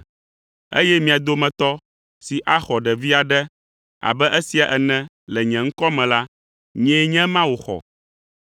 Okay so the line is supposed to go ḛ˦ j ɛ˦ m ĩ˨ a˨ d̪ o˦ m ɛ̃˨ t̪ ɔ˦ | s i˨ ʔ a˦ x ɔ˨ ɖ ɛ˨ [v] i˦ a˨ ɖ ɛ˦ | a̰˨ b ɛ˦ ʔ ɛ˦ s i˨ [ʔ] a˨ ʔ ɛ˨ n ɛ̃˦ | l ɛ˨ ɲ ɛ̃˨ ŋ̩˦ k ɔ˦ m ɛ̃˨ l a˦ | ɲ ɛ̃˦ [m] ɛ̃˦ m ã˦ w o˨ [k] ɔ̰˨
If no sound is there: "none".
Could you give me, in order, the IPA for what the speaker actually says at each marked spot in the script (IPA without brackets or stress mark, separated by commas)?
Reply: v, none, ɲ, x